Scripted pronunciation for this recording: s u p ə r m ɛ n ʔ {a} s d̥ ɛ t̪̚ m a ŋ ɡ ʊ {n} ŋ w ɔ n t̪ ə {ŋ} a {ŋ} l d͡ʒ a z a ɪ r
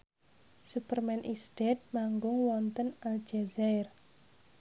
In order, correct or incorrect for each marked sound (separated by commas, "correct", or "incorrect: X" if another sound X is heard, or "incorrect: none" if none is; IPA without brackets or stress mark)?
incorrect: i, incorrect: none, incorrect: n, incorrect: none